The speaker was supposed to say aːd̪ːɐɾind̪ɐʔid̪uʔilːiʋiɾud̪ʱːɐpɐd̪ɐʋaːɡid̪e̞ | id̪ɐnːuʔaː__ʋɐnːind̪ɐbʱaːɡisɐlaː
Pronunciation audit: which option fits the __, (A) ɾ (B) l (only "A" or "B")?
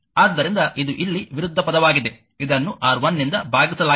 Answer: A